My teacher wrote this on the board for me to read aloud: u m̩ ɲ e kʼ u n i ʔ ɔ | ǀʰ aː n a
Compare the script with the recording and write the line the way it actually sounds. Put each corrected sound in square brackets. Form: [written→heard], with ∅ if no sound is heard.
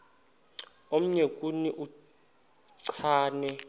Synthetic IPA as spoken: [u→o] m̩ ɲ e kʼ u n i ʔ [ɔ→u] | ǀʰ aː n [a→ɛ]